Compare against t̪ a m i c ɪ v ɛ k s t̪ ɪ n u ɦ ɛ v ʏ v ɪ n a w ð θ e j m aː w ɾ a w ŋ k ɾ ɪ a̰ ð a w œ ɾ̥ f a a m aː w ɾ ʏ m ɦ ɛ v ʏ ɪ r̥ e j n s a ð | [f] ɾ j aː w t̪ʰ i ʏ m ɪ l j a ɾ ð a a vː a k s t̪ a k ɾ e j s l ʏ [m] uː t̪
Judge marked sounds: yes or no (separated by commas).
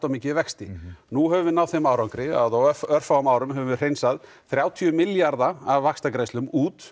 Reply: no, yes